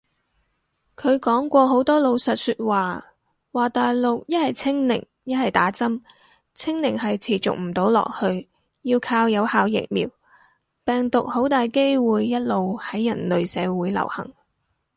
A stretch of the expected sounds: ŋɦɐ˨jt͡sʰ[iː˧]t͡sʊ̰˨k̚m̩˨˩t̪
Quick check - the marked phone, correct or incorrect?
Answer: incorrect: iː˨˩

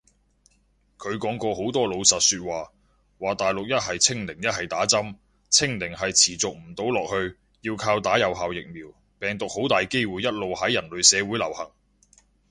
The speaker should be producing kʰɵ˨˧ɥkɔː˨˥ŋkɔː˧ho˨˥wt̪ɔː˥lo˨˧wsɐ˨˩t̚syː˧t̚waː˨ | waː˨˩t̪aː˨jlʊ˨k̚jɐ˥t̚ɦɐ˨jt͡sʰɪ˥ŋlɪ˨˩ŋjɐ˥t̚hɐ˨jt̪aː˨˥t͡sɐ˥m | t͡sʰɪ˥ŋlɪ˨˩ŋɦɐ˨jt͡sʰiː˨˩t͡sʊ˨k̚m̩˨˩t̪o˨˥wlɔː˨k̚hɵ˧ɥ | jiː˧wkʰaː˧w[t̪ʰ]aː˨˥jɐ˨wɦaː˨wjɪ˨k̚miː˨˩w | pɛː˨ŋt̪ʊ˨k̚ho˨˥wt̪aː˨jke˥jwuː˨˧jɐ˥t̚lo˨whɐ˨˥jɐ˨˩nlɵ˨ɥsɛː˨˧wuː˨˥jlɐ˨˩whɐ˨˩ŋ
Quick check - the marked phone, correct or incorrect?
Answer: incorrect: t̪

